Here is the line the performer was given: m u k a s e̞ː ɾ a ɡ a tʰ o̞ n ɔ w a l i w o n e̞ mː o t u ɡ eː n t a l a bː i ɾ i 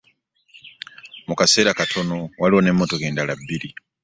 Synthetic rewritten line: m u k a s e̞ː ɾ a k a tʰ o̞ n o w a l i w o n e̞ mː o t o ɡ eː n d a l a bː i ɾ i